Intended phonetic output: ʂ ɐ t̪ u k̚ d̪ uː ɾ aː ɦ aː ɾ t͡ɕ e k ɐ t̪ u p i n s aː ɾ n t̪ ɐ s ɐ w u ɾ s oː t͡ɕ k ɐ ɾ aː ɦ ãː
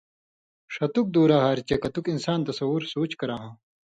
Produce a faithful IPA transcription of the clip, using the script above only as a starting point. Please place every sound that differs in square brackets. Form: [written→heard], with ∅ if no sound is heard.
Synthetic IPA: ʂ ɐ t̪ u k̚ d̪ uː ɾ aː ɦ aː ɾ t͡ɕ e k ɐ t̪ u [p→k] i n s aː [ɾ→∅] n t̪ ɐ s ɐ w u ɾ s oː t͡ɕ k ɐ ɾ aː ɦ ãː